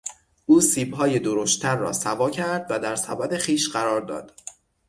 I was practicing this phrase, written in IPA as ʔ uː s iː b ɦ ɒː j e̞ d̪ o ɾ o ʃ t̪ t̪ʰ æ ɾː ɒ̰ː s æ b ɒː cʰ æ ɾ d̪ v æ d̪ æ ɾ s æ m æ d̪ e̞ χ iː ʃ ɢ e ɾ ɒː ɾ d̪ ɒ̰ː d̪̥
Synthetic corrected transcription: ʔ uː s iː b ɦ ɒː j e̞ d̪ o ɾ o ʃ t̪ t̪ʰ æ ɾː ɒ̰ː s æ v ɒː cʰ æ ɾ d̪ v æ d̪ æ ɾ s æ b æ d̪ e̞ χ iː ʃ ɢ æ ɾ ɒː ɾ d̪ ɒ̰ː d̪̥